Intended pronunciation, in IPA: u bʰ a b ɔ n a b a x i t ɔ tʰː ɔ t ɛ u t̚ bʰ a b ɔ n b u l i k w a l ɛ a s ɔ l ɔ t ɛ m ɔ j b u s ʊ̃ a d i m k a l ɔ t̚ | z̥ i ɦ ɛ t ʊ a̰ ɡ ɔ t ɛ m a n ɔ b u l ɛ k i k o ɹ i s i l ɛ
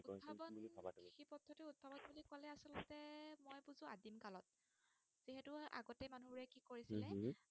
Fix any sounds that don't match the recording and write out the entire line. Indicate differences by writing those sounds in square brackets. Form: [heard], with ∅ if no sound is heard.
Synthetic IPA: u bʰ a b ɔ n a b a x i [p] ɔ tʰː ɔ t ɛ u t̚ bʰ a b ɔ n b u l i k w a l ɛ a s ɔ l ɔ t ɛ m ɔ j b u [z] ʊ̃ a d i m k a l ɔ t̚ | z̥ i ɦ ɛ t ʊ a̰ ɡ ɔ t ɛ m a n [u] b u [ɹ] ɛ k i k o ɹ i s i l ɛ